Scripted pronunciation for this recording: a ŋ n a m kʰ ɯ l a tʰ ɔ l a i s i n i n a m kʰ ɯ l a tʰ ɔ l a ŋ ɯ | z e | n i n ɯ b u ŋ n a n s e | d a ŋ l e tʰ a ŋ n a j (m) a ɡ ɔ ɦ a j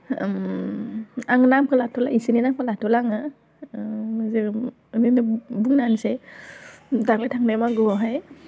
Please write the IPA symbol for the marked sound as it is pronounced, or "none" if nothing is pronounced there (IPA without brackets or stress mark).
m